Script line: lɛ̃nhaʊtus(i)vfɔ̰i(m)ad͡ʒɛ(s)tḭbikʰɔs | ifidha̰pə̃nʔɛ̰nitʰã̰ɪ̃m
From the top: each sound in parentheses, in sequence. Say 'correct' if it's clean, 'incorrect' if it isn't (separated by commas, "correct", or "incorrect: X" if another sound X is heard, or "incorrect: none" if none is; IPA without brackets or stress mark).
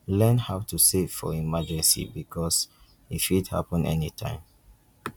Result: incorrect: e, correct, correct